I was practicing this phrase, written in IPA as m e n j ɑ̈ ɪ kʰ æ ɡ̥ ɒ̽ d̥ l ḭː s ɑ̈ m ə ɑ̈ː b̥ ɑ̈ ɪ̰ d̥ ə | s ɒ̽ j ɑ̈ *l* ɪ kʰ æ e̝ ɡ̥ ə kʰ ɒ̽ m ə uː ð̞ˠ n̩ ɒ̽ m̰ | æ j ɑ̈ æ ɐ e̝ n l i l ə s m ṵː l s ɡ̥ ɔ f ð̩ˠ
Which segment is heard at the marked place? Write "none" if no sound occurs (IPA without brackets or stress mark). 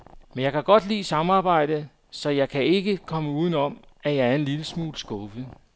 none